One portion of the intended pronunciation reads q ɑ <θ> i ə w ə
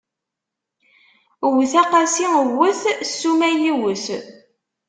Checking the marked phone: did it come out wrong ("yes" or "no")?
yes